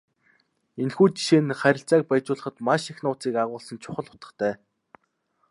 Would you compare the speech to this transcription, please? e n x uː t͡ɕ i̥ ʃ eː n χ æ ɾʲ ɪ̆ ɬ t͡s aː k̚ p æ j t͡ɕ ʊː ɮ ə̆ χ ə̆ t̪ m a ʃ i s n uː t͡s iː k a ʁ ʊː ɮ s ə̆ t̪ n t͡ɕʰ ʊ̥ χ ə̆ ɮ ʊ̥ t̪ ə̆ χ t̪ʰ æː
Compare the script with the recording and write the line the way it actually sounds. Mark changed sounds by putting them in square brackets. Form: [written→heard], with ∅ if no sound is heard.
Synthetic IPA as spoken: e n x uː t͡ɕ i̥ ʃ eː n χ æ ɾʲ ɪ̆ ɬ t͡s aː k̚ p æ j t͡ɕ ʊː ɮ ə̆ χ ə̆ t̪ m a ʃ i [s→x] n [uː→ʊː] t͡s iː k a ʁ ʊː ɮ s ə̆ [t̪→∅] n t͡ɕʰ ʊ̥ χ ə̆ ɮ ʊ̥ t̪ ə̆ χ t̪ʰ æː

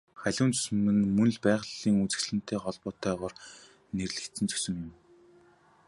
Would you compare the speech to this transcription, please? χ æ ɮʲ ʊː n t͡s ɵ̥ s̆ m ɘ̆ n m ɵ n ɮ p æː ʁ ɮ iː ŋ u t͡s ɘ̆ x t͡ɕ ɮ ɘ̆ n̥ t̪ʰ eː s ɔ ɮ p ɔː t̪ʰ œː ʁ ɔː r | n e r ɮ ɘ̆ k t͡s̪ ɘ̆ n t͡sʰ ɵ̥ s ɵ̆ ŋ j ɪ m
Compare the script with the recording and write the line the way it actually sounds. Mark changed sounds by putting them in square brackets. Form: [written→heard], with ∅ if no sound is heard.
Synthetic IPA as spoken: χ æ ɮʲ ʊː n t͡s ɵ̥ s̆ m ɘ̆ n m ɵ n ɮ p æː ʁ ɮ iː ŋ u t͡s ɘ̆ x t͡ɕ ɮ ɘ̆ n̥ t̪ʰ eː [s→χ] ɔ ɮ p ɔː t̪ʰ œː ʁ ɔː r | n e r ɮ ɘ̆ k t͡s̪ ɘ̆ n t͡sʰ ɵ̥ s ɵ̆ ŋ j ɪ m

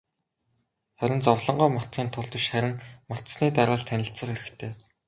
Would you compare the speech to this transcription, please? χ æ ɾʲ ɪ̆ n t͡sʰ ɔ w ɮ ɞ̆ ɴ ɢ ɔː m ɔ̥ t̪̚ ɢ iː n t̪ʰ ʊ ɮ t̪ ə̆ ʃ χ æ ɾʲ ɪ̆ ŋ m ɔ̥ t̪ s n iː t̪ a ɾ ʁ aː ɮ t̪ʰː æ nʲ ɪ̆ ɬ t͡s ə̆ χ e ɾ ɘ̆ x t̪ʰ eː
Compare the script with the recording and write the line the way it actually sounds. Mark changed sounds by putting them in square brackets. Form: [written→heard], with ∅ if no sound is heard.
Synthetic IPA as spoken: χ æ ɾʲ ɪ̆ n [t͡sʰ→t͡s] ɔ w ɮ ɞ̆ ɴ ɢ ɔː m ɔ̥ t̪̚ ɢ iː n t̪ʰ ʊ ɮ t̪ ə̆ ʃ χ æ ɾʲ ɪ̆ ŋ m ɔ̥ t̪ s n iː t̪ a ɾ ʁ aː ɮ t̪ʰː æ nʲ ɪ̆ ɬ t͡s ə̆ χ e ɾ ɘ̆ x t̪ʰ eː

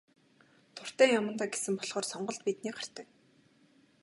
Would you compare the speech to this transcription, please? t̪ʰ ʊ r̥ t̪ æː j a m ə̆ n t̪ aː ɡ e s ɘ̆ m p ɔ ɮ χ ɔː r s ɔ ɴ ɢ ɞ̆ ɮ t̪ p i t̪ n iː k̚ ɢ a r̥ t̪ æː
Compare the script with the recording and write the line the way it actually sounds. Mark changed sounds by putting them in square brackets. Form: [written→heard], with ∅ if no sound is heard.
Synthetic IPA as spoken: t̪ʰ ʊ r̥ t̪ æː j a m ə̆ n t̪ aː ɡ e s ɘ̆ m p ɔ ɮ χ ɔː r s ɔ ɴ ɢ ɞ̆ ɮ t̪ p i t̪ n iː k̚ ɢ a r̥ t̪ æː

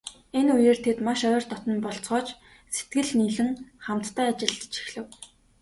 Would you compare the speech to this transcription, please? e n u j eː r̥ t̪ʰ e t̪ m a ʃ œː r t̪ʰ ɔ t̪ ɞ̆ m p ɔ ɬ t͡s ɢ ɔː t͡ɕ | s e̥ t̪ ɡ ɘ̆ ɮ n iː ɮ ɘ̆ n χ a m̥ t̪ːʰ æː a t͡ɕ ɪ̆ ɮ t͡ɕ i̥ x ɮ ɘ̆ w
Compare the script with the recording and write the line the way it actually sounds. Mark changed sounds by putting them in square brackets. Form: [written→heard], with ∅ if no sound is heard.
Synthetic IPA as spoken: e n u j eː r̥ t̪ʰ e t̪ m a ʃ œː r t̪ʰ ɔ t̪ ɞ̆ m p ɔ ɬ t͡s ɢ ɔː t͡ɕ | s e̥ t̪ ɡ ɘ̆ ɮ n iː ɮ ɘ̆ [n→ŋ] χ a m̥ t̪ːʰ æː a t͡ɕ ɪ̆ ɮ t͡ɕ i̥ x ɮ ɘ̆ w

